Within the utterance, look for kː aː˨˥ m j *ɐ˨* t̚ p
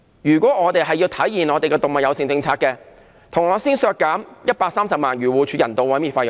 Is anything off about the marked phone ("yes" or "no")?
yes